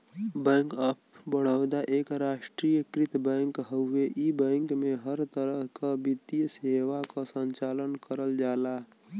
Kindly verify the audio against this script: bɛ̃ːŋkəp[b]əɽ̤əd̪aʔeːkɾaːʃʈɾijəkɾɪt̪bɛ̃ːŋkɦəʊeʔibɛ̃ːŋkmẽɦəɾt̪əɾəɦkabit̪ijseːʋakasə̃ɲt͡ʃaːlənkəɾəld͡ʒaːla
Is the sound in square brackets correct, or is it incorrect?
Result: correct